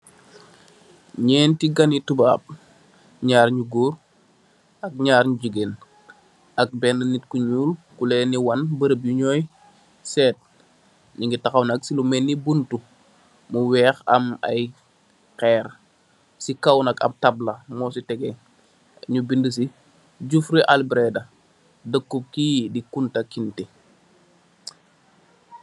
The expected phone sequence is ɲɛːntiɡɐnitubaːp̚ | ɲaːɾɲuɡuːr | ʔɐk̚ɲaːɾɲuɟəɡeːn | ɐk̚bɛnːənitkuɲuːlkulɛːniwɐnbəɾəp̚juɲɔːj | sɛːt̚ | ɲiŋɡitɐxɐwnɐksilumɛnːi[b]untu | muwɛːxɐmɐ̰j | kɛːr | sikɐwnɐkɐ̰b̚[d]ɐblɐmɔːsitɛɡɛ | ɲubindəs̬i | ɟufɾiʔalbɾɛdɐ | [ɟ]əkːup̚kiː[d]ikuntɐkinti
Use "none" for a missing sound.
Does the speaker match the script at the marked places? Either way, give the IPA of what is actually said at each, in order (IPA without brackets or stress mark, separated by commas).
b, t, d, d